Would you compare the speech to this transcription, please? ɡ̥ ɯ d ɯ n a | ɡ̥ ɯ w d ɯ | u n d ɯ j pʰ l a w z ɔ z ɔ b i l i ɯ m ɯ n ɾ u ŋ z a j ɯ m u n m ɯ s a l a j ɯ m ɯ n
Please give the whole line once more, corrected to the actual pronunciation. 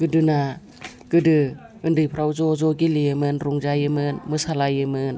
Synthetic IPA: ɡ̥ ɯ d ɯ n a | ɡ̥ ɯ d ɯ | ɯ n d ɯ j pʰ ɾ a w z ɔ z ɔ ɡ i l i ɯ m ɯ n ɾ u ŋ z a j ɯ m ɯ n m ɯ s a l a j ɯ m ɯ n